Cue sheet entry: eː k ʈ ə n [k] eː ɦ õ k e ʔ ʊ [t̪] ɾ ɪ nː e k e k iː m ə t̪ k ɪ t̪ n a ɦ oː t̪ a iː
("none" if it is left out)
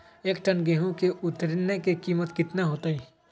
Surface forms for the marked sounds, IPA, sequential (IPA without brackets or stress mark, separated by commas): ɡ, t̪